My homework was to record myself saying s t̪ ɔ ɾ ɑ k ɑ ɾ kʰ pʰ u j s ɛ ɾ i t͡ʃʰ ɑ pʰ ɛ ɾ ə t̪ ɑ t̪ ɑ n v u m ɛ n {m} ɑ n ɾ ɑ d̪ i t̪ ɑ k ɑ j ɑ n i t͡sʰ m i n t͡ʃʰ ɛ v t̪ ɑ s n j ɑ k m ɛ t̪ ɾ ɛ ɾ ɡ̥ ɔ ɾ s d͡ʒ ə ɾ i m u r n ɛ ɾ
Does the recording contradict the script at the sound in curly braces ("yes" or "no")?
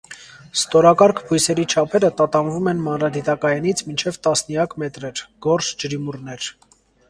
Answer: no